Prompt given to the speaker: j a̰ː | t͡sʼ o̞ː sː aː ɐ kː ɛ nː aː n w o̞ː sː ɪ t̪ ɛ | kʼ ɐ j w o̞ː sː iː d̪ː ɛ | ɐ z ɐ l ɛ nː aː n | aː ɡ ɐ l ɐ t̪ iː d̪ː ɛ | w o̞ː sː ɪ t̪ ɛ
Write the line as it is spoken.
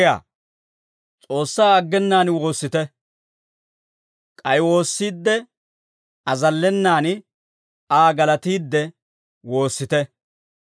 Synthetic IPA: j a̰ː | t͡sʼ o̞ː sː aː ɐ ɡː ɛ nː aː n w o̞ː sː ɪ t̪ ɛ | kʼ ɐ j w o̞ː sː iː d̪ː ɛ | ɐ z ɐ lː ɛ nː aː n | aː ɡ ɐ l ɐ t̪ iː d̪ː ɛ | w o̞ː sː ɪ t̪ ɛ